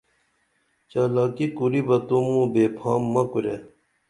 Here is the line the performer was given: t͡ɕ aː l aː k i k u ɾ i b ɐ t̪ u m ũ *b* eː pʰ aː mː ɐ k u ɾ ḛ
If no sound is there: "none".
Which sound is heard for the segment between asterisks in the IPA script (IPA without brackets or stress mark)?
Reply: b